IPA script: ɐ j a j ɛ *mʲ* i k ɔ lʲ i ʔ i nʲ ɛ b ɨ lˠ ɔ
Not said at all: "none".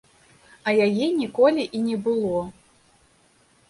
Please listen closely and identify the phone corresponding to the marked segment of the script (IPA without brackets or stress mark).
nʲ